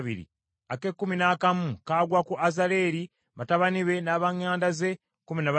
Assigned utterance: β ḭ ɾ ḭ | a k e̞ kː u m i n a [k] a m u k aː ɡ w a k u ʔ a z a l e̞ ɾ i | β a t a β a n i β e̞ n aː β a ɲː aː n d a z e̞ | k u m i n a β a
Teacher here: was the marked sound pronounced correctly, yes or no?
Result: yes